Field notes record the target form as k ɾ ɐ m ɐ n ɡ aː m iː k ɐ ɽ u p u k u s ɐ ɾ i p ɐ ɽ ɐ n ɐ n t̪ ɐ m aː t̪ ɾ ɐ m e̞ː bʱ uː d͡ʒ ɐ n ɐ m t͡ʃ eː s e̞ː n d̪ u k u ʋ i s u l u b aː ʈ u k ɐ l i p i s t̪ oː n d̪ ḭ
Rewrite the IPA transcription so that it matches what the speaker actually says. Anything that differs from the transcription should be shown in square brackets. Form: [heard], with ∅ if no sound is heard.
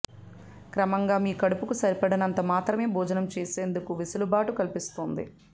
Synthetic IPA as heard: k ɾ ɐ m ɐ [ŋ] ɡ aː m iː k ɐ ɽ u p u k u s ɐ ɾ i p ɐ ɽ ɐ n ɐ n t̪ ɐ m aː t̪ ɾ ɐ m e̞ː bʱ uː d͡ʒ ɐ n ɐ m t͡ʃ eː s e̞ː n d̪ u k u ʋ i s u l u b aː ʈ u k ɐ l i p i s t̪ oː n d̪ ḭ